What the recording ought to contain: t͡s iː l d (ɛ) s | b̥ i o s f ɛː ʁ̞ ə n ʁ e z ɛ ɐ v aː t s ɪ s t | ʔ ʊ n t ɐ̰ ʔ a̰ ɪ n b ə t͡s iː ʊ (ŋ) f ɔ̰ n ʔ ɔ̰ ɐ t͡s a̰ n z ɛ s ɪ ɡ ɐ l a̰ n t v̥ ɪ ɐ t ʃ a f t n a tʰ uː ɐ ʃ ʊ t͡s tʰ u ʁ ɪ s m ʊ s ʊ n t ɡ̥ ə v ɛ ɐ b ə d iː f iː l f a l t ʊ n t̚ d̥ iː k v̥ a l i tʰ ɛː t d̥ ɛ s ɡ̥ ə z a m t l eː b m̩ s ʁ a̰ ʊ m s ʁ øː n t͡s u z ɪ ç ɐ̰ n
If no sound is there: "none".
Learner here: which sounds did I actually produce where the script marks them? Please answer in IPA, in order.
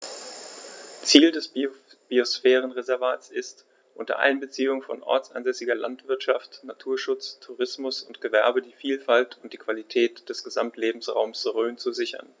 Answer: ɛ, ŋ

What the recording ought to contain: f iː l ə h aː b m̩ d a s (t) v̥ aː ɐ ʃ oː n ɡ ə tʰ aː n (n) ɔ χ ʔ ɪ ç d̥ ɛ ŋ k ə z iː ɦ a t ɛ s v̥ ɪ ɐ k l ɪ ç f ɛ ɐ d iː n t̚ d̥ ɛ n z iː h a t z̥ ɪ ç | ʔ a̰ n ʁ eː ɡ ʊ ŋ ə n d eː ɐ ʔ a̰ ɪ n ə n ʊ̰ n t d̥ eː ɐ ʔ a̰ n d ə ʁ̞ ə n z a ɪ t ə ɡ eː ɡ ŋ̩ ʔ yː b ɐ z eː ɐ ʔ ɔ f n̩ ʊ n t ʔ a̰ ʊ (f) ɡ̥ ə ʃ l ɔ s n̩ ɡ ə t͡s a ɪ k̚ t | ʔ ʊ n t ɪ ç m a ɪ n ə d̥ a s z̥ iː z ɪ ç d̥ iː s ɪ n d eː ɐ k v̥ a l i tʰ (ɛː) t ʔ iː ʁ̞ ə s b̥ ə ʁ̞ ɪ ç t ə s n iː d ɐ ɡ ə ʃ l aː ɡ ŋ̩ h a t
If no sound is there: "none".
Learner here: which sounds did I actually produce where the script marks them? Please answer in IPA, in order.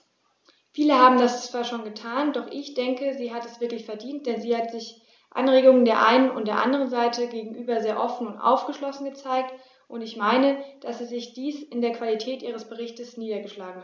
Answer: t͡s, d, f, ɛː

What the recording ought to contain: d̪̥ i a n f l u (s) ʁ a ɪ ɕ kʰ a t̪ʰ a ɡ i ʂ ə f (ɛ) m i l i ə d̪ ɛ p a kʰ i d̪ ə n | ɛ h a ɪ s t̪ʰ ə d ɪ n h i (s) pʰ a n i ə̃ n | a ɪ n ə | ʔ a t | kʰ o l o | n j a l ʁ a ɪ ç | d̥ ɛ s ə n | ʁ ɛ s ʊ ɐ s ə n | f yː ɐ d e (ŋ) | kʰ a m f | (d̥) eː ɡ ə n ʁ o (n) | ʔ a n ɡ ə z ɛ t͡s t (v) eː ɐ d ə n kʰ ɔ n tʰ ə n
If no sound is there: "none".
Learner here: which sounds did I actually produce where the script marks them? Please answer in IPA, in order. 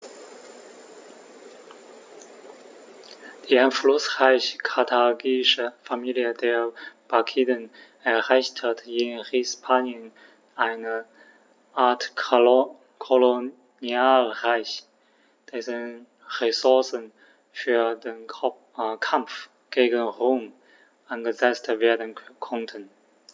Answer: s, a, s, n, ɡ̥, m, v

